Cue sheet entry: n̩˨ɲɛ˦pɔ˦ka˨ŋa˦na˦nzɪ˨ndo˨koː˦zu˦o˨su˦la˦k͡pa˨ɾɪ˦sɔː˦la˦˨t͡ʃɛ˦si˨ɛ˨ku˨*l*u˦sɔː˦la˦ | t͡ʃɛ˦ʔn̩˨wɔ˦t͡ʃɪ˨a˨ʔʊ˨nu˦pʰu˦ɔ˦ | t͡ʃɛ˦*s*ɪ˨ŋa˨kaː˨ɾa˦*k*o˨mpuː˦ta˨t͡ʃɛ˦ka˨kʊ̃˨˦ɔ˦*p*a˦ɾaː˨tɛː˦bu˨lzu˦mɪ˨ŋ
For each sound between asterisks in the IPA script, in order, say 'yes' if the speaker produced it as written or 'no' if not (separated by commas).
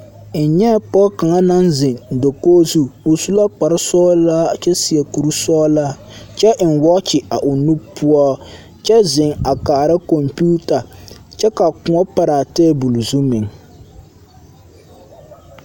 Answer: no, no, yes, yes